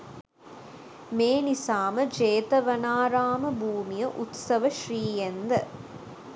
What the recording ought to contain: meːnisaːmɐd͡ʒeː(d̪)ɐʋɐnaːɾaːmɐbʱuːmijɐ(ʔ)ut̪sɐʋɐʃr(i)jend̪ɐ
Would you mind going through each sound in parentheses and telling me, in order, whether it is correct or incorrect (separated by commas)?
incorrect, correct, incorrect